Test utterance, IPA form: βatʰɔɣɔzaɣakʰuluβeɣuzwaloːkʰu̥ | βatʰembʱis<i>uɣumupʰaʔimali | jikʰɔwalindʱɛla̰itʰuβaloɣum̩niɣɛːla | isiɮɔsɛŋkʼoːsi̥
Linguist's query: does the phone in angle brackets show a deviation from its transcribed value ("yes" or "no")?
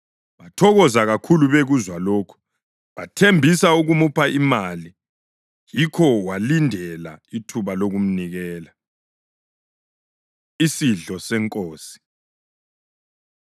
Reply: yes